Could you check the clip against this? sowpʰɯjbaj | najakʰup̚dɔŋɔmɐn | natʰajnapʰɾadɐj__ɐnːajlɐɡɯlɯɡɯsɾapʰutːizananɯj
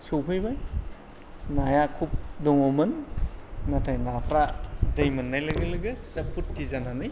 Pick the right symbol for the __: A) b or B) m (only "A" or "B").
B